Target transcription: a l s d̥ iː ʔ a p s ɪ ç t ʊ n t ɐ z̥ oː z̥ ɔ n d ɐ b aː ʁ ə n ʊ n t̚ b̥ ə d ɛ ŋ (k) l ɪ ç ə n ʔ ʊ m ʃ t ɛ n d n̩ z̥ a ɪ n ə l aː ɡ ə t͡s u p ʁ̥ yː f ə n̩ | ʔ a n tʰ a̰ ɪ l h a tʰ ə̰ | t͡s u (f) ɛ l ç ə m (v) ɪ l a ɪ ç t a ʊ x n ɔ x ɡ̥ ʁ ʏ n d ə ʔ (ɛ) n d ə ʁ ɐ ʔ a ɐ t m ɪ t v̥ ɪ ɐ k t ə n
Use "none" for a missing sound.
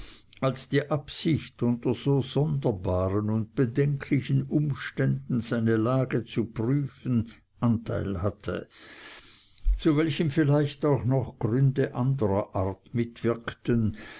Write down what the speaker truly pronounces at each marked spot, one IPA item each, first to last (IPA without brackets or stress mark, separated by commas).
kʰ, v, f, a